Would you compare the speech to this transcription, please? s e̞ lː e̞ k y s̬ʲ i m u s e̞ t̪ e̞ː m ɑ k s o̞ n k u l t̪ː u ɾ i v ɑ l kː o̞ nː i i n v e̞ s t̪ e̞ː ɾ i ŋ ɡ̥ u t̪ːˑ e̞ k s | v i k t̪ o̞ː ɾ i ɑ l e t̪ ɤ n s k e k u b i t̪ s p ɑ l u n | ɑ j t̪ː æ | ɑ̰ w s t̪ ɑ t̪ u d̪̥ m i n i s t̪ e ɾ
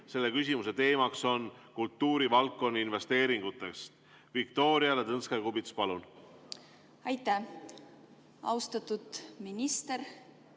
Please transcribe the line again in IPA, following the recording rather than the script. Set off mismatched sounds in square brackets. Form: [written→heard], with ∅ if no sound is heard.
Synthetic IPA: s e̞ lː e̞ k y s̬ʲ i m u s e̞ t̪ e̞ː m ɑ k s o̞ n k u l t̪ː [u→uː] ɾ i v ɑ l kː o̞ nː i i n v e̞ s t̪ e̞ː ɾ i ŋ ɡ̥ u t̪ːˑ e̞ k s | v i k t̪ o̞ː ɾ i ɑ l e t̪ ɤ n s k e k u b i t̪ s p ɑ l u n | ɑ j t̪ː æ | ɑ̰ w s t̪ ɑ t̪ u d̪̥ m i n i s t̪ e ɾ

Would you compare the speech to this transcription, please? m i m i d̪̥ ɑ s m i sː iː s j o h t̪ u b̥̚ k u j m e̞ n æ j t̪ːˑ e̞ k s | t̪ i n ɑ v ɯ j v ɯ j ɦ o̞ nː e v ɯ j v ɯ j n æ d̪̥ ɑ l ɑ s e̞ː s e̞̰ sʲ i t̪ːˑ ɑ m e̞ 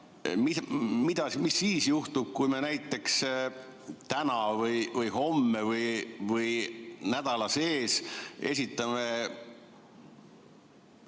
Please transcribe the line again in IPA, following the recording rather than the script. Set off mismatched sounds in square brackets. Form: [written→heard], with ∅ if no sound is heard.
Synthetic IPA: m i m i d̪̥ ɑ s m i sː iː s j [o→u] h t̪ u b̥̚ k u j m e̞ n æ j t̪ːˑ e̞ k s | t̪ [i→æ] n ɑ v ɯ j v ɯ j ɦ o̞ [nː→mː] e v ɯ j v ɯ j n æ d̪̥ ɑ l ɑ s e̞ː s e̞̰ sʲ i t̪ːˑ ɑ m e̞

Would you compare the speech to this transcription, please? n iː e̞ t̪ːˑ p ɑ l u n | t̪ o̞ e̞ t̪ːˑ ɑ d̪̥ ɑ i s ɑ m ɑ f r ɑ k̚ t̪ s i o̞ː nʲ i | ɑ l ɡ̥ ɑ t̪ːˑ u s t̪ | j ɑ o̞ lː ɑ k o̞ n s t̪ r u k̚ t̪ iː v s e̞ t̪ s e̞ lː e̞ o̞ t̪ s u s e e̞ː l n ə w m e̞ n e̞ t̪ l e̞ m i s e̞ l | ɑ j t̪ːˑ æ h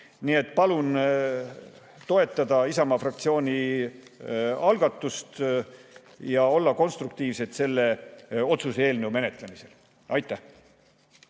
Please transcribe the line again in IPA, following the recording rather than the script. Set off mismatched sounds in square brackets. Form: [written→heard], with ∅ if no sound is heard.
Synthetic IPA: n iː e̞ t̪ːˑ p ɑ l u n | t̪ o̞ e̞ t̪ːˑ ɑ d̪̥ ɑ i s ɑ m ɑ f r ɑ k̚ t̪ s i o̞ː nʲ i | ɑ l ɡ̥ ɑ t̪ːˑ u s t̪ | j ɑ o̞ lː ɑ k o̞ n s t̪ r u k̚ t̪ iː v s e̞ t̪ s e̞ lː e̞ o̞ t̪ s u s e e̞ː l n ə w m e̞ n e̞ t̪ l e̞ m i s e̞ l | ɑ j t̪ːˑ æ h

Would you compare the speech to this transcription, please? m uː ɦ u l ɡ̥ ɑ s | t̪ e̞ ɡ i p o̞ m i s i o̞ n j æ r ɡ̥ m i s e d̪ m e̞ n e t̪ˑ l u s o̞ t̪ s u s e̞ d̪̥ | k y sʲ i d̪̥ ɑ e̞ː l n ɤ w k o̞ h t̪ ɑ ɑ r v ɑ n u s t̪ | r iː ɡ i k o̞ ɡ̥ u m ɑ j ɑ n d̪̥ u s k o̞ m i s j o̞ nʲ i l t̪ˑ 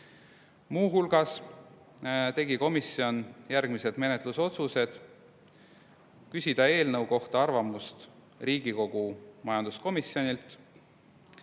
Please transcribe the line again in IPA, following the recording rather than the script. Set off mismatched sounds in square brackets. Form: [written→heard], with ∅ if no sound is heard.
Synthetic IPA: m uː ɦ u l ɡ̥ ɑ s | t̪ e̞ ɡ i [p→k] o̞ m i s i o̞ n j æ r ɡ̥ m i s e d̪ m e̞ n e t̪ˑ l u s o̞ t̪ s u s e̞ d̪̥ | k y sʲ i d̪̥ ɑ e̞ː l n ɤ w k o̞ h t̪ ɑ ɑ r v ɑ [n→m] u s t̪ | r iː ɡ i k o̞ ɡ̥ u m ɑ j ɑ n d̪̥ u s k o̞ m i s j o̞ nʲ i l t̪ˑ

